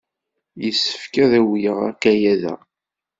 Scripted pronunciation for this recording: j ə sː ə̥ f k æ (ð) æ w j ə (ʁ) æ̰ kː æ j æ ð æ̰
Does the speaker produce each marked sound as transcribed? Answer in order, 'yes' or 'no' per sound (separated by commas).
yes, yes